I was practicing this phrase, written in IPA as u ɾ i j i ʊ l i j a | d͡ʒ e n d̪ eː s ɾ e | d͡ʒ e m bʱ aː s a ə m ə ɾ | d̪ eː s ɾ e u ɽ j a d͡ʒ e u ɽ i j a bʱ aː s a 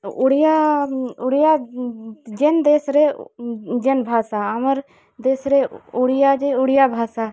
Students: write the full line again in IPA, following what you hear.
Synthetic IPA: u ɽ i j a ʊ ɽ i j a | d͡ʒ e n d̪ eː s ɾ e | d͡ʒ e n bʱ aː s a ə m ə ɾ | d̪ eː s ɾ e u ɽ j a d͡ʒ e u ɽ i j a bʱ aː s a